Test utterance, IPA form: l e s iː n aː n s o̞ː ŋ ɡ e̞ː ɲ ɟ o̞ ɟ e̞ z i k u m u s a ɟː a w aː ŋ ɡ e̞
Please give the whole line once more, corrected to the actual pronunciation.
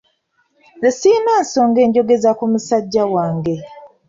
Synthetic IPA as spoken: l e s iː n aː n s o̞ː ŋ ɡ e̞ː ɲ ɟ o̞ ɡ e̞ z a k u m u s a ɟː a w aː ŋ ɡ e̞